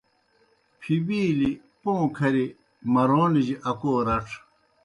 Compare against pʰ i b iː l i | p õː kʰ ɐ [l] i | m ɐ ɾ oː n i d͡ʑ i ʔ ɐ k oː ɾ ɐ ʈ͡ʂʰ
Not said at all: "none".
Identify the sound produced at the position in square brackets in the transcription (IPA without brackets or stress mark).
ɾ